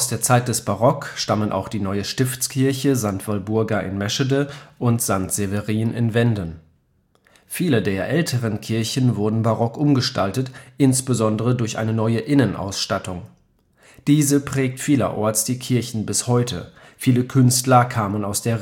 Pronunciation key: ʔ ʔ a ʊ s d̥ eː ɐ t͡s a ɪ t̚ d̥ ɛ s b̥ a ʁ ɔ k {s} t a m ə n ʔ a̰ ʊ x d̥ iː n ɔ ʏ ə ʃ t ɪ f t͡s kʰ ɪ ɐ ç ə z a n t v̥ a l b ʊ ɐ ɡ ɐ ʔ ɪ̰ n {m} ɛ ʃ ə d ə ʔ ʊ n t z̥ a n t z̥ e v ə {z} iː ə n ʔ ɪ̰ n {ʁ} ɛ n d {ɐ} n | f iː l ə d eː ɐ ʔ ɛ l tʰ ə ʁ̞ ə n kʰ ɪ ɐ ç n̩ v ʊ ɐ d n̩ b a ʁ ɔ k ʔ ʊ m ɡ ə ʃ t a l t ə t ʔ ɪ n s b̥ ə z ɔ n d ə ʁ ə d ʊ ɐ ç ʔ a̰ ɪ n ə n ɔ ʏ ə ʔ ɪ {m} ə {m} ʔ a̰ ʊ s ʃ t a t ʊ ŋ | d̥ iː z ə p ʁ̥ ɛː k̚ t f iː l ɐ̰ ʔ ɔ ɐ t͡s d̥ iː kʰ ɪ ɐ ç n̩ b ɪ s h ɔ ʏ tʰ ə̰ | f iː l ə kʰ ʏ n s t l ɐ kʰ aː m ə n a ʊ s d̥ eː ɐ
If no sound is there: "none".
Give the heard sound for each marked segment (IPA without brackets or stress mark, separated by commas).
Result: ʃ, m, ʁ, v, ə, n, n